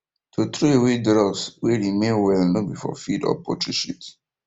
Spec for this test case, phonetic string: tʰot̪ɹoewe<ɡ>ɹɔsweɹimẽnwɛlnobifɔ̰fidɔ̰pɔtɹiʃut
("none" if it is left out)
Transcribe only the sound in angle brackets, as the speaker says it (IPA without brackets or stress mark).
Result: d